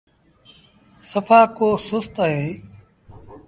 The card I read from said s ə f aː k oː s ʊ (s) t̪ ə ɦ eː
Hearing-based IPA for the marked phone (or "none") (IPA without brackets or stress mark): s